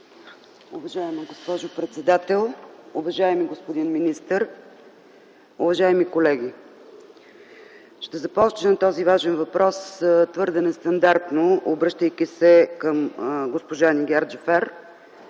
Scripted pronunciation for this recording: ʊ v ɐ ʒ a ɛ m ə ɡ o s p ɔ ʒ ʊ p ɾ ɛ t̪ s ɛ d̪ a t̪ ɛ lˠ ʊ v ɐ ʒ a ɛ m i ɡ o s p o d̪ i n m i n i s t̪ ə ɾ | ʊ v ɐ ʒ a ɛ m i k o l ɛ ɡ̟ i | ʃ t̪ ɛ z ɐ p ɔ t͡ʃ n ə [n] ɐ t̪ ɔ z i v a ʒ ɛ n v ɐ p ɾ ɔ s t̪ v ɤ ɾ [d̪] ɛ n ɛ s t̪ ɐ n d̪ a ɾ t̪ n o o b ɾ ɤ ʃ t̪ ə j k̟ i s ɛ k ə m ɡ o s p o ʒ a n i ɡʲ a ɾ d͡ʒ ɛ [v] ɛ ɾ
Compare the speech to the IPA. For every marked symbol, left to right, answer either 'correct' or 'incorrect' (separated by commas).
correct, correct, incorrect